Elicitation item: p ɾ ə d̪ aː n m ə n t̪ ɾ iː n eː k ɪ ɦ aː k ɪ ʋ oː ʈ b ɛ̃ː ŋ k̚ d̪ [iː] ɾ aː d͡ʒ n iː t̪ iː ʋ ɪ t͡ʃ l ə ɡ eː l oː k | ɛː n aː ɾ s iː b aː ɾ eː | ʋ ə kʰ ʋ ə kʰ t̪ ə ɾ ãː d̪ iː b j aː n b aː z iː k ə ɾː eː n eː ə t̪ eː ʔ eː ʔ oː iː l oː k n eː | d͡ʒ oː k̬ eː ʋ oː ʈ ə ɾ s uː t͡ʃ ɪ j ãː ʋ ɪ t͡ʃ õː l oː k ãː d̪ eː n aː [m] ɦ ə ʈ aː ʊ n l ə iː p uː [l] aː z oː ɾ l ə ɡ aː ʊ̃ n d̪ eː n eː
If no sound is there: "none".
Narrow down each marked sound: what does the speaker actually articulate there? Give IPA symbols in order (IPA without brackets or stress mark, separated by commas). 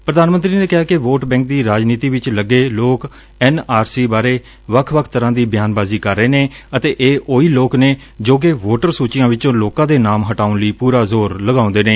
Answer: iː, m, ɾ